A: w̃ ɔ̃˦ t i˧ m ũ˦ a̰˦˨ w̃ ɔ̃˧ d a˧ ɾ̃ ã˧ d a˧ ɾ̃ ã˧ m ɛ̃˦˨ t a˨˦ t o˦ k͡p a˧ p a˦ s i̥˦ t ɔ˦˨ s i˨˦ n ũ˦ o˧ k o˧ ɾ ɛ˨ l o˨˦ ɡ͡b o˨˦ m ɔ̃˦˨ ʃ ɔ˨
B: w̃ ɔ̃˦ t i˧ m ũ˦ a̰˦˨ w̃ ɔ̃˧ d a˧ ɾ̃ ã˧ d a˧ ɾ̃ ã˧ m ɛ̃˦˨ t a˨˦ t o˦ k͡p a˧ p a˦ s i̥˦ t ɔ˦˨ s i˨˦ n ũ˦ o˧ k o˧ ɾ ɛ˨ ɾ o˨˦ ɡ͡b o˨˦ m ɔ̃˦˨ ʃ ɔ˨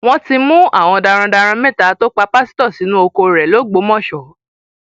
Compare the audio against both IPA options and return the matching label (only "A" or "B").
A